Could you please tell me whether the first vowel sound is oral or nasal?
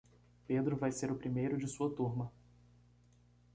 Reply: oral